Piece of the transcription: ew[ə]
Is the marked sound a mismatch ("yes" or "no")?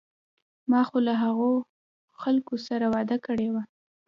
yes